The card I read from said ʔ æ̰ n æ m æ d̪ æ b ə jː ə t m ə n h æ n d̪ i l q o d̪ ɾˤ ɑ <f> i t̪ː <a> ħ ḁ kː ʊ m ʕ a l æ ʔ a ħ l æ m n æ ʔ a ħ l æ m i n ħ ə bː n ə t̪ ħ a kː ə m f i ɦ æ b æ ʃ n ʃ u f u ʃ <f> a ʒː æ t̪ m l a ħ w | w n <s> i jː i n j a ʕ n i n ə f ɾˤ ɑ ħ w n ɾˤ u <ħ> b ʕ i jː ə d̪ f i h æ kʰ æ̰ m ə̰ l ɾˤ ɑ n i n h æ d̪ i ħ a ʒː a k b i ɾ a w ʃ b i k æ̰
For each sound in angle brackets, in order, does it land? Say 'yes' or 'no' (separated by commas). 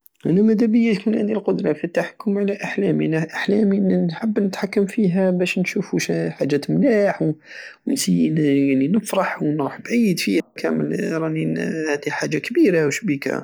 yes, yes, no, yes, yes